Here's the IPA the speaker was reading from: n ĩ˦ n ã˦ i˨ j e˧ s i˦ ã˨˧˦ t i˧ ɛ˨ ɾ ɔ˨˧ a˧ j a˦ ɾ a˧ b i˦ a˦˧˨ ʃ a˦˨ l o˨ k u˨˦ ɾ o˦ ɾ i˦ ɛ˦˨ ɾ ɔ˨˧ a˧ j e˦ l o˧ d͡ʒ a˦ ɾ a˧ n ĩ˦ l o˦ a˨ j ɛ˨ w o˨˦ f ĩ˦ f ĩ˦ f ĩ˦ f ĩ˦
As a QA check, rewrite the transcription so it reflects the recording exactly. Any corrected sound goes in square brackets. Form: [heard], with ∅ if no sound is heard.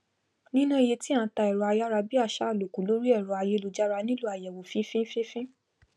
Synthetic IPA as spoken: n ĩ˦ n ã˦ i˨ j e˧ [t] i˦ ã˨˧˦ t [a˧] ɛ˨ ɾ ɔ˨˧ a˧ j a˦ ɾ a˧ b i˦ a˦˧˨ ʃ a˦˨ l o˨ k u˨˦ [l] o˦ ɾ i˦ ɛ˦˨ ɾ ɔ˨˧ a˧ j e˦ l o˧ d͡ʒ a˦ ɾ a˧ n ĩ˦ l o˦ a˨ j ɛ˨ w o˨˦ f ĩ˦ f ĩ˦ f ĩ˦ f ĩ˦